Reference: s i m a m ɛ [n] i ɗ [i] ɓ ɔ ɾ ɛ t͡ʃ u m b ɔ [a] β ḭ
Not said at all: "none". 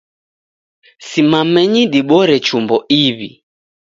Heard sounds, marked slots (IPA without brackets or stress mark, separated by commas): ɲ, i, i